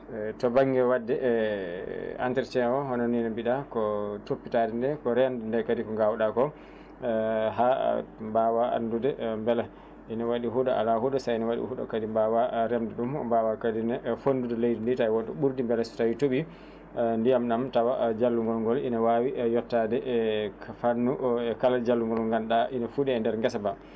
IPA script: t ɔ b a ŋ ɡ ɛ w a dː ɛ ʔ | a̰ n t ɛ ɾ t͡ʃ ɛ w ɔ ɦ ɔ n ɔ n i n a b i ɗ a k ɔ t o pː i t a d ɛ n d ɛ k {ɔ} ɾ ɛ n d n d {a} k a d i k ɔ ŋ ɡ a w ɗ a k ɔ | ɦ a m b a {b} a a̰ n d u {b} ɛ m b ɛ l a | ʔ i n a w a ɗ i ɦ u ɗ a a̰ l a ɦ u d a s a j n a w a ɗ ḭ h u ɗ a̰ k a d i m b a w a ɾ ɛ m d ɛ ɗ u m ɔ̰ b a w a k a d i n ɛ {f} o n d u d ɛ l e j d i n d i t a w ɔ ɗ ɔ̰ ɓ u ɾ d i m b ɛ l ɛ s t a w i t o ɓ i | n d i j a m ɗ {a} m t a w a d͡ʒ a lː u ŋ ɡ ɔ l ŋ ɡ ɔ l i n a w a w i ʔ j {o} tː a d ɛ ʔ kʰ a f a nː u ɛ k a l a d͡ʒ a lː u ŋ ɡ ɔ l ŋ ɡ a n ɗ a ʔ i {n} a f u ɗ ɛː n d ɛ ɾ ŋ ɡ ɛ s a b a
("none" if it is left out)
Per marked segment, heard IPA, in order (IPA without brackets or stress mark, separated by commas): ɔ, ɛ, w, d, f, a, ɔ, n